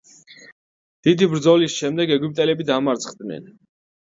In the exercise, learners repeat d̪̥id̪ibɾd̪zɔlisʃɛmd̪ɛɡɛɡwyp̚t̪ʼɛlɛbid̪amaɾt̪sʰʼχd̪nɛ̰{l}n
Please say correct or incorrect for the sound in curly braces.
incorrect: none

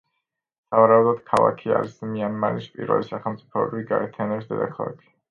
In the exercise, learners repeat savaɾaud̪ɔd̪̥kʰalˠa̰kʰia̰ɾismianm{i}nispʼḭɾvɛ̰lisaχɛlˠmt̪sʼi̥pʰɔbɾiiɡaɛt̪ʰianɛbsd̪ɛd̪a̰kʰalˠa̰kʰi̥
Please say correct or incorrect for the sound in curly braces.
incorrect: a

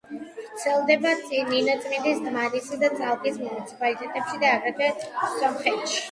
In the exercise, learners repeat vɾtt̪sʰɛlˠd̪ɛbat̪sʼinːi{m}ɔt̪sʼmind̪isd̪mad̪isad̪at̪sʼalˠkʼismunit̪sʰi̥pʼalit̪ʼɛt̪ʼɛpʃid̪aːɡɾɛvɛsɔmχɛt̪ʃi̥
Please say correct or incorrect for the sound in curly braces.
incorrect: n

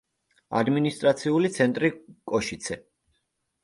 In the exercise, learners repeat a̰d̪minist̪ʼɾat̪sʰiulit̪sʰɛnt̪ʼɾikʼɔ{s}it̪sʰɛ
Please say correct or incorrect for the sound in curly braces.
incorrect: ʃ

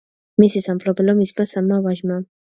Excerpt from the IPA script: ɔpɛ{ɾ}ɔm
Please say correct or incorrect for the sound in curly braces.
incorrect: l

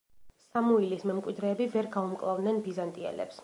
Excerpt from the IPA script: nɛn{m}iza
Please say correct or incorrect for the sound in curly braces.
incorrect: b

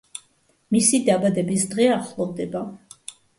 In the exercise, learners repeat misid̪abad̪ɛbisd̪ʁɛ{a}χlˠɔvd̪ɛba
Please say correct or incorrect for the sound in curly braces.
correct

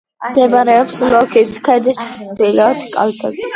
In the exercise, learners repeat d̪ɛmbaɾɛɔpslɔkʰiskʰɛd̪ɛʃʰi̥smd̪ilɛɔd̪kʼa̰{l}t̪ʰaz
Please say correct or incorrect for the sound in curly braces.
correct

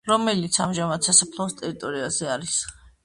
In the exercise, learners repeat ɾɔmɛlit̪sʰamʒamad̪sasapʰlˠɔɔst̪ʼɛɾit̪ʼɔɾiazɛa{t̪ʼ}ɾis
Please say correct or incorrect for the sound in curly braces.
incorrect: none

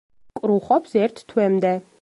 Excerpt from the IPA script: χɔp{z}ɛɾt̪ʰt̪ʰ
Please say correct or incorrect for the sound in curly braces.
incorrect: s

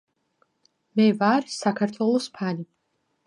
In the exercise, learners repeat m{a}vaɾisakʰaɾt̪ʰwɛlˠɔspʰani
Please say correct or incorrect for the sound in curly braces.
incorrect: ɛ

